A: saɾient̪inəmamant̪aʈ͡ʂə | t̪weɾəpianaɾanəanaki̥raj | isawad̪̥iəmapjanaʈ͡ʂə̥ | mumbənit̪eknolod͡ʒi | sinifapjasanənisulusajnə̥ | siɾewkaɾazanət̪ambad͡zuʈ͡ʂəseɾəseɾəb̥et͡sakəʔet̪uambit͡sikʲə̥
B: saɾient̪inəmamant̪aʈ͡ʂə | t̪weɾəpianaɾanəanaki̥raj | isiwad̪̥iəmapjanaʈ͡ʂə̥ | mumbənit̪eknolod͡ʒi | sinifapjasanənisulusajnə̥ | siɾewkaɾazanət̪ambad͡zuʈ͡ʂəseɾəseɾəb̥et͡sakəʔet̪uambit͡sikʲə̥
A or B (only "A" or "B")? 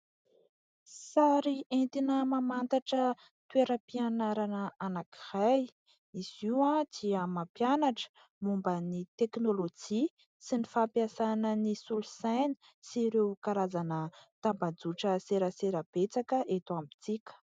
B